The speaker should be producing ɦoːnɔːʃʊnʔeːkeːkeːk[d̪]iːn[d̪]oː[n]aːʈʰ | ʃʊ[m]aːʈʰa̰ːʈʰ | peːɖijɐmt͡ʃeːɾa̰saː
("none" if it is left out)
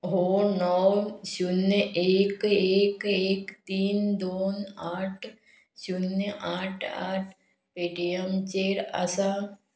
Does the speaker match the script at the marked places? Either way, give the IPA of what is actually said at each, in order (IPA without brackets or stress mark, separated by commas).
t̪, d̪, n, n